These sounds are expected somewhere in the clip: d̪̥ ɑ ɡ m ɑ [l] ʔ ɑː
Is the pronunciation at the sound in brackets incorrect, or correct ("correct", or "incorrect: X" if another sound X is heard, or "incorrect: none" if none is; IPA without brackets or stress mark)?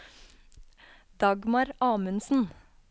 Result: incorrect: ɾ